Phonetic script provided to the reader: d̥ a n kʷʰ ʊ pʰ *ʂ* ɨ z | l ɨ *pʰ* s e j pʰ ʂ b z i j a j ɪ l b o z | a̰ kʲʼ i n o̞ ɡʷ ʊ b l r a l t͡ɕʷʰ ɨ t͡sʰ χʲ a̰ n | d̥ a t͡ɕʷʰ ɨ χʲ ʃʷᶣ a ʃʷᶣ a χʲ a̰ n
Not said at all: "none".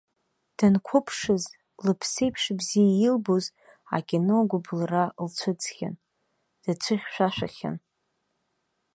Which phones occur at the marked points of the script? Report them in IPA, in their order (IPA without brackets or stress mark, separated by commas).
ʂ, pʰ